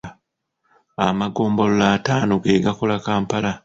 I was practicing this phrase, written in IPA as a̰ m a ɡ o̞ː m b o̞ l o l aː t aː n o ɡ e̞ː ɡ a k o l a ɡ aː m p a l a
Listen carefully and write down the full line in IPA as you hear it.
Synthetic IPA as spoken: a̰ m a ɡ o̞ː m b o̞ l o l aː t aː n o ɡ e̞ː ɡ a k o l a k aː m p a l a